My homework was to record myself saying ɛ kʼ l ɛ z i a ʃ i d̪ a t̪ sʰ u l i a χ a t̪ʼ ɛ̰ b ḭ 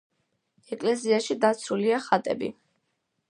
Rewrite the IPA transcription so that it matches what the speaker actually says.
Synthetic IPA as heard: ɛ kʼ l ɛ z i a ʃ i d̪ a t̪ sʰ u l i a χ a t̪ʼ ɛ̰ b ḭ

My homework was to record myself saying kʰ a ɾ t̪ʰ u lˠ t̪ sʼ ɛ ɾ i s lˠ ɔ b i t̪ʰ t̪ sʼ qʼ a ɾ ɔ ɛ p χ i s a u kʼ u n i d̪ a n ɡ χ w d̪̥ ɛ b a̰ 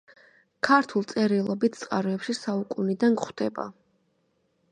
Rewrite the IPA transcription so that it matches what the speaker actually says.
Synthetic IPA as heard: kʰ a ɾ t̪ʰ u lˠ t̪ sʼ ɛ ɾ i lˠ ɔ b i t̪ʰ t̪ sʼ qʼ a ɾ ɔ ɛ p ʃ i s a u kʼ u n i d̪ a n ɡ χ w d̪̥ ɛ b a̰

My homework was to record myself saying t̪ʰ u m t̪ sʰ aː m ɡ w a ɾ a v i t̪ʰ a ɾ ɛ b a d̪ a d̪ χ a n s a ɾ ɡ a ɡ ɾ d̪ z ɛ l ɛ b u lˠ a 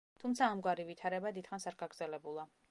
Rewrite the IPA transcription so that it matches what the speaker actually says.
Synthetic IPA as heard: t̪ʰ u m t̪ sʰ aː m ɡ w a ɾ i v i t̪ʰ a ɾ ɛ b a d̪ i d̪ χ a n s a ɾ ɡ a ɡ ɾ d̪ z ɛ l ɛ b u lˠ a

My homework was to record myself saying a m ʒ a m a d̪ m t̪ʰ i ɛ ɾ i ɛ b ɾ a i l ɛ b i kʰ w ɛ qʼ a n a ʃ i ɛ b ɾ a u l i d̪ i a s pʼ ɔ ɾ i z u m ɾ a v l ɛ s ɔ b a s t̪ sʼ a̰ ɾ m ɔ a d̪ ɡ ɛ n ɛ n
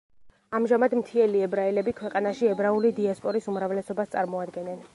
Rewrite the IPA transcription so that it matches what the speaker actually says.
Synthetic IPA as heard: a m ʒ a m a d̪ m t̪ʰ i ɛ l i ɛ b ɾ a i l ɛ b i kʰ w ɛ qʼ a n a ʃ i ɛ b ɾ a u l i d̪ i a s pʼ ɔ ɾ i s u m ɾ a v l ɛ s ɔ b a s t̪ sʼ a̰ ɾ m ɔ a d̪ ɡ ɛ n ɛ n

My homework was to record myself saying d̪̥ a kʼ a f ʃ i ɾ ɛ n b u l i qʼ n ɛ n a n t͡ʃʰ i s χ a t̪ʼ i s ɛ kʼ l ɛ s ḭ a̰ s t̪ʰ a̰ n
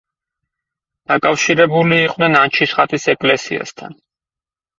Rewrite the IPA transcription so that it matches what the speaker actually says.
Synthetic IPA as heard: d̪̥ a kʼ a f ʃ i ɾ ɛ b u l iː qʼ n ɛ n a n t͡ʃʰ i s χ a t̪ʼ i s ɛ kʼ l ɛ s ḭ a̰ s t̪ʰ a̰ n

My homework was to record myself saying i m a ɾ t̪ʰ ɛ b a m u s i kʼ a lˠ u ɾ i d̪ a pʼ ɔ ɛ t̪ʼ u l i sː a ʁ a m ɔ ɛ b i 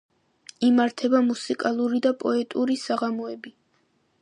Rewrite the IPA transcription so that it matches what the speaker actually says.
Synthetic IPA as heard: i m a ɾ t̪ʰ ɛ b a m u s i kʼ a lˠ u ɾ i d̪ a pʼ ɔ ɛ t̪ʼ u ɾ i s a ʁ a m ɔ ɛ b i

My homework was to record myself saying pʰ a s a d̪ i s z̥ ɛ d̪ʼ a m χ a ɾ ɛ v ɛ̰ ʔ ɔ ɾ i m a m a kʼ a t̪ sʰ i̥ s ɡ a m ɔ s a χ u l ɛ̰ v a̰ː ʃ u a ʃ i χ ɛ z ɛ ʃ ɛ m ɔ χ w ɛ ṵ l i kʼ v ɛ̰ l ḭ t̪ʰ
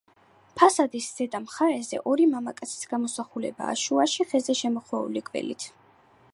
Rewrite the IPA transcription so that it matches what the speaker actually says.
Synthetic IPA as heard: pʰ a s a d̪ i s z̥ ɛ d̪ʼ a m χ a ɾ ɛ z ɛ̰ ʔ ɔ ɾ i m a m a kʼ a t̪ sʰ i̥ s ɡ a m ɔ s a χ u l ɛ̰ b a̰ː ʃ u a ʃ i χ ɛ z ɛ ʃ ɛ m ɔ χ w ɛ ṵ l i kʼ v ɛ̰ l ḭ t̪ʰ

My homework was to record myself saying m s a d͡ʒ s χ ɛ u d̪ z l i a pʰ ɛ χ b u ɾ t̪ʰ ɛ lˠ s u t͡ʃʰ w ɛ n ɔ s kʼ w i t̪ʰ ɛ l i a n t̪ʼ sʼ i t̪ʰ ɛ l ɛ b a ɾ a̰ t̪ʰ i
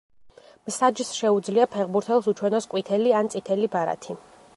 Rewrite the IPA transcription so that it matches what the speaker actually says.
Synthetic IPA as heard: m s a d͡ʒ s ʃ ɛ u d̪ z l i a pʰ ɛ ʁ b u ɾ t̪ʰ ɛ lˠ s u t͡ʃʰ w ɛ n ɔ s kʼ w i t̪ʰ ɛ l i a n t̪ sʼ i t̪ʰ ɛ l i b a ɾ a̰ t̪ʰ i

